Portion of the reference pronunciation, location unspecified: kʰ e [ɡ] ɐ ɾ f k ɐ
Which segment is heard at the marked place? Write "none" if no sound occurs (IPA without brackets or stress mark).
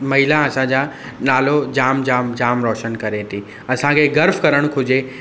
ɡ